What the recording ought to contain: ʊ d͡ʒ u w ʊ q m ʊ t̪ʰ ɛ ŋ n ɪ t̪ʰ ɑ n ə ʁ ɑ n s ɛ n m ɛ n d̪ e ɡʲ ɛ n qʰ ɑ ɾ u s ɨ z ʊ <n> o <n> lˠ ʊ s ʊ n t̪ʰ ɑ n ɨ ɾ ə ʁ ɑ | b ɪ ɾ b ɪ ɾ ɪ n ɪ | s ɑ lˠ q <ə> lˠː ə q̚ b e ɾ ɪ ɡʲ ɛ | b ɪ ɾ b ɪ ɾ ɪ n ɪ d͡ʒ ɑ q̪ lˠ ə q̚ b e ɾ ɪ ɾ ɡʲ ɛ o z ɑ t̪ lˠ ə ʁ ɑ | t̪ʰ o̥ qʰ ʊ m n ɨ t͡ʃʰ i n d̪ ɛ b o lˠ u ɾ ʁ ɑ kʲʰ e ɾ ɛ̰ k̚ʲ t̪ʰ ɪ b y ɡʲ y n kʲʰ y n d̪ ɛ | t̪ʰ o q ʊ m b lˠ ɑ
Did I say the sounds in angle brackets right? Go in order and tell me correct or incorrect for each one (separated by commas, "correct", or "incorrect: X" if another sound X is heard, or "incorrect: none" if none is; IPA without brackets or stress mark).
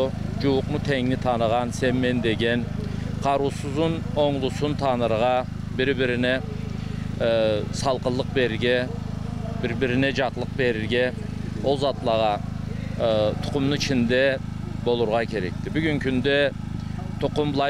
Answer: correct, incorrect: ŋ, correct